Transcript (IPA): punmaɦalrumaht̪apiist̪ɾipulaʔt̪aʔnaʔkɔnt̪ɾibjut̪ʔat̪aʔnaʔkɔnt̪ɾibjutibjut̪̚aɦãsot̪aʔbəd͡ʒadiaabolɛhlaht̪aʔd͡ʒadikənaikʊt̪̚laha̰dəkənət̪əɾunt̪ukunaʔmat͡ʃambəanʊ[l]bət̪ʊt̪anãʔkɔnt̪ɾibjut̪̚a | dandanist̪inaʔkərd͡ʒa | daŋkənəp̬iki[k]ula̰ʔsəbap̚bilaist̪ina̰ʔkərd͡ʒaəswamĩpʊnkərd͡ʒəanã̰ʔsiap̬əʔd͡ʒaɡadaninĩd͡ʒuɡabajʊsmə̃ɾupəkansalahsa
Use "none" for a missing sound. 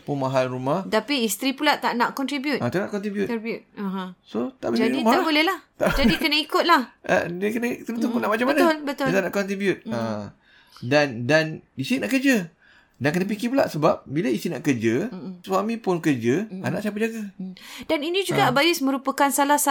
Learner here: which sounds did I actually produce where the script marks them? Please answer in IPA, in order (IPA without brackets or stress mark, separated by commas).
l, p